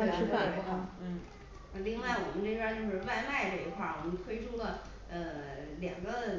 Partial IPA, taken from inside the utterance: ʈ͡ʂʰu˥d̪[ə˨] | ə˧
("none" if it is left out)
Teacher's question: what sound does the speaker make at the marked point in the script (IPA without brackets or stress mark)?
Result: ə˨